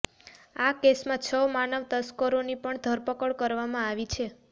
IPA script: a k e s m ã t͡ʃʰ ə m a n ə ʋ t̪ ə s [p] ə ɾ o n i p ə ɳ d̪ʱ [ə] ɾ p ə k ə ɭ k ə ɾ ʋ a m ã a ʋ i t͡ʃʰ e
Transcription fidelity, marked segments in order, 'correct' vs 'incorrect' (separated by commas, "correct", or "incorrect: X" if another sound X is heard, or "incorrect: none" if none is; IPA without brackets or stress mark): incorrect: k, correct